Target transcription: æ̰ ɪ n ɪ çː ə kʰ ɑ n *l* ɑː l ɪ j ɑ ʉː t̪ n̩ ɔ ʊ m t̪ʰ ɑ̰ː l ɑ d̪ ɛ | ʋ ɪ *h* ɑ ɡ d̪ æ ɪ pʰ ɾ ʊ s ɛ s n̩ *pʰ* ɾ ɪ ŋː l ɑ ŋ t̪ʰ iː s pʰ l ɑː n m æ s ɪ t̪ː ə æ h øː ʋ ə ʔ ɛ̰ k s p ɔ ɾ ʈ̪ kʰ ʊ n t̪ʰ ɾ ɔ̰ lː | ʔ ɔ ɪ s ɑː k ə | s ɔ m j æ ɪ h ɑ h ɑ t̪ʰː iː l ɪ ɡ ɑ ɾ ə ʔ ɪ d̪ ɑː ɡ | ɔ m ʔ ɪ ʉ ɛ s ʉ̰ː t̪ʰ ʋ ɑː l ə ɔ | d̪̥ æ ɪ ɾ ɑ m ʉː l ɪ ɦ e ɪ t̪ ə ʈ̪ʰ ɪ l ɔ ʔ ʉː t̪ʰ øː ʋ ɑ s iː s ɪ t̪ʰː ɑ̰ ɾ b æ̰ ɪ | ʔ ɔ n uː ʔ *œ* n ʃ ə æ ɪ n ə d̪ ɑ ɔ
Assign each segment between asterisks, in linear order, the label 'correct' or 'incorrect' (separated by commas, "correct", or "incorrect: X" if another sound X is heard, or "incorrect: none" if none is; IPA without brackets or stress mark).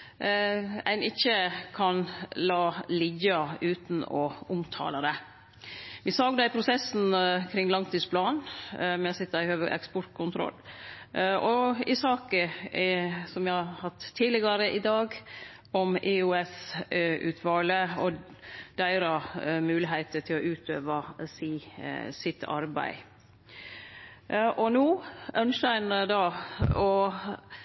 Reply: correct, incorrect: s, incorrect: kʰ, correct